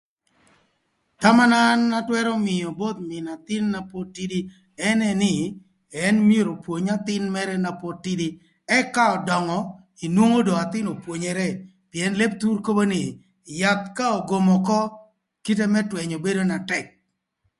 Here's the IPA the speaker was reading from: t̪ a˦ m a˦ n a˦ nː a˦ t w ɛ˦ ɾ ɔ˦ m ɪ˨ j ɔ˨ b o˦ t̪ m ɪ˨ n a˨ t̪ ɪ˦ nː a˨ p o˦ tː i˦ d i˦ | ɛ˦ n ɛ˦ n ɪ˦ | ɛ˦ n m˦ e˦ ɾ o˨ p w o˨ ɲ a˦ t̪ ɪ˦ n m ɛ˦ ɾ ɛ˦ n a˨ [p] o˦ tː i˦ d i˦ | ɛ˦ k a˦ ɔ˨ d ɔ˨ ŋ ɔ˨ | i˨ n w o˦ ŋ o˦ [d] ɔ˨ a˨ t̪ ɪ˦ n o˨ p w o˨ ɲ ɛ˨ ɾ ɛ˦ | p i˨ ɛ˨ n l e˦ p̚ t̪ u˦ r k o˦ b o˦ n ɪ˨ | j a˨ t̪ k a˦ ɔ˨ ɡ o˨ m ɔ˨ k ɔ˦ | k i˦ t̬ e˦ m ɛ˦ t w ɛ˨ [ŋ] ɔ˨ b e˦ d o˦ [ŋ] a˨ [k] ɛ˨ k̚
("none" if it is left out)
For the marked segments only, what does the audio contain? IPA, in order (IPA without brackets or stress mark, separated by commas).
p, d, ɲ, n, t